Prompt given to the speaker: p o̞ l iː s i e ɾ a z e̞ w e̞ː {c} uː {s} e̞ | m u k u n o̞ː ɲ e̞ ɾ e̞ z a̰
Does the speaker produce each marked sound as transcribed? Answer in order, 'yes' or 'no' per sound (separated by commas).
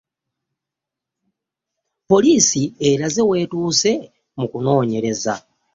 no, yes